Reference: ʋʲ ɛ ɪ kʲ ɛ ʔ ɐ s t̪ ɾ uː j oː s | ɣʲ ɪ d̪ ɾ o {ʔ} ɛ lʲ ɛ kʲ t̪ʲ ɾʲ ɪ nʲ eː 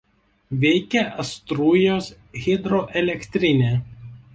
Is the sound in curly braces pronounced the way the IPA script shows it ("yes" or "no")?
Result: yes